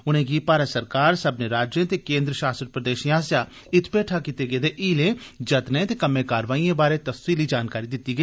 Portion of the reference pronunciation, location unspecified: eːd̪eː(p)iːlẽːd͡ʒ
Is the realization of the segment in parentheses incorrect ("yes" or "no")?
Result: yes